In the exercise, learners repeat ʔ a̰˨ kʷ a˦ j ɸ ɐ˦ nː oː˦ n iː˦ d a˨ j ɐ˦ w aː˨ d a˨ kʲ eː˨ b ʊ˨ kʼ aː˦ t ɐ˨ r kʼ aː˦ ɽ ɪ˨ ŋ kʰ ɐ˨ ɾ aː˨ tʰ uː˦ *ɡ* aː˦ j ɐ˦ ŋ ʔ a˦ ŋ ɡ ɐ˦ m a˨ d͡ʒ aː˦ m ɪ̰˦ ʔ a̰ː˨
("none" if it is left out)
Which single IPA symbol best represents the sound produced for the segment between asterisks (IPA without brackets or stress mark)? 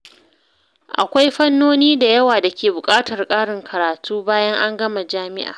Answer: b